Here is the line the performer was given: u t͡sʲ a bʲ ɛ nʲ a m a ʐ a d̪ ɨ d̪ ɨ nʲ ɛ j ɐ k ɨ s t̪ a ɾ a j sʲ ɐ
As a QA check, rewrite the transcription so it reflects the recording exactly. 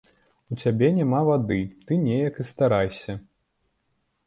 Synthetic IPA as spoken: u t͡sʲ a bʲ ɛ nʲ a m a v a d̪ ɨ t̪ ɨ nʲ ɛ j ɐ k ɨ s t̪ a ɾ a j sʲ ɐ